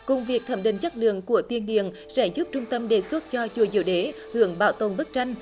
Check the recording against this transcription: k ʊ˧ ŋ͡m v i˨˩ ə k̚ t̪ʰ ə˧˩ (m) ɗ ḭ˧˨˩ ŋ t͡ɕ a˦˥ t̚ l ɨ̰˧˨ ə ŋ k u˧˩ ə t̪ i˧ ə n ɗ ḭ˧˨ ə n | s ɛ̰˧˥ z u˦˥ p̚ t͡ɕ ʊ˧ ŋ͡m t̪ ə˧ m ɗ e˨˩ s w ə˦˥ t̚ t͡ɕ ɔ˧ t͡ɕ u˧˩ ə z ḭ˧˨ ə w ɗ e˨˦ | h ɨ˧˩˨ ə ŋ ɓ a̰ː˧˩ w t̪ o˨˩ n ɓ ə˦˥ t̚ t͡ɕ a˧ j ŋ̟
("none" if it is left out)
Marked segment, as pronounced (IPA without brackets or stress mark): m